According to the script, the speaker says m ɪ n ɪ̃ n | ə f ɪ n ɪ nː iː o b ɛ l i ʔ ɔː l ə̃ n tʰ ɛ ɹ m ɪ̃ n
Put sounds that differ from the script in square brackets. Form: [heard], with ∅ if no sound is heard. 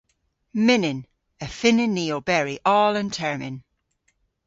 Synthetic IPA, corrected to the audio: m ɪ n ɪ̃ n | ə f ɪ n ɪ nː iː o b ɛ [ɹ] i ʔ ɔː l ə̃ n tʰ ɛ ɹ m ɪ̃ n